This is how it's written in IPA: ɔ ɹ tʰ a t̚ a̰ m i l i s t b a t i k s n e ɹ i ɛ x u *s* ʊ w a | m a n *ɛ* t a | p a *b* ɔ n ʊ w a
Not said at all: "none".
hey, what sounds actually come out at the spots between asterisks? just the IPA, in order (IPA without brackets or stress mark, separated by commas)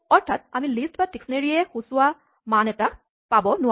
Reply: s, ɛ, b